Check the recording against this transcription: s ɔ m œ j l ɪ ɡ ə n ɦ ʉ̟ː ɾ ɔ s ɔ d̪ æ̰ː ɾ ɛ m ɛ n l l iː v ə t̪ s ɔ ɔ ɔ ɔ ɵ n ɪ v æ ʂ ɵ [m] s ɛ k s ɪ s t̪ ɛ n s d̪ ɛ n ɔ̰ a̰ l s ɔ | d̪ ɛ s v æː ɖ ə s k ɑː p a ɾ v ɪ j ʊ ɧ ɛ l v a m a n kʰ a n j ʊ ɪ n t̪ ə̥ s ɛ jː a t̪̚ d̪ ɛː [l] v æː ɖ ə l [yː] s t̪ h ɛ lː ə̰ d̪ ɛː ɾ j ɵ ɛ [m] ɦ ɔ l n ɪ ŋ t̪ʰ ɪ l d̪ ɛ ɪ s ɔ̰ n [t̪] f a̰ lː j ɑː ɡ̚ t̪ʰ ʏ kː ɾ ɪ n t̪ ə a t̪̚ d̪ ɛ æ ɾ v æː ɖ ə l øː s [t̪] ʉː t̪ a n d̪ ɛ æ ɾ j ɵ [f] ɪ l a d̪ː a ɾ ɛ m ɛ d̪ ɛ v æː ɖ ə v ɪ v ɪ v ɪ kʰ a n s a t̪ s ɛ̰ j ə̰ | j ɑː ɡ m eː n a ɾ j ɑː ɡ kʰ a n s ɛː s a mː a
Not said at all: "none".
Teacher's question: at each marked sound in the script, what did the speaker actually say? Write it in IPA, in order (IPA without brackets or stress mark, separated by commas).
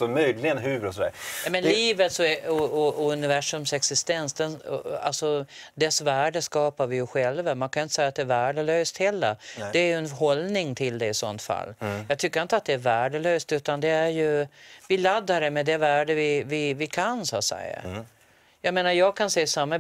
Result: m, ɾ, øː, n, t̪, t̪, v